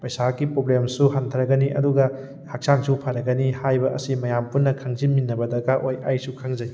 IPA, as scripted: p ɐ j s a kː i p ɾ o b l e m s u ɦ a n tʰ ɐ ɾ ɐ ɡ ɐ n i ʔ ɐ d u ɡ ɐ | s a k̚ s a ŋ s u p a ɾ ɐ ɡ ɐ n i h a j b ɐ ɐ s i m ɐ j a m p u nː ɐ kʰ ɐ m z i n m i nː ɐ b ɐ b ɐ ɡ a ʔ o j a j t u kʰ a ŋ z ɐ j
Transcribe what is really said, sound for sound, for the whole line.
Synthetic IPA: p ɐ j s a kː i p ɾ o b l e m s u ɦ a n tʰ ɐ ɾ ɐ ɡ ɐ n i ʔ ɐ d u ɡ ɐ | h a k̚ s a ŋ s u pʰ a ɾ ɐ ɡ ɐ n i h a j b ɐ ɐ s i m ɐ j a m p u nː ɐ kʰ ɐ ŋ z i n m i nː ɐ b ɐ d ɐ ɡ a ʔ o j a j s u kʰ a ŋ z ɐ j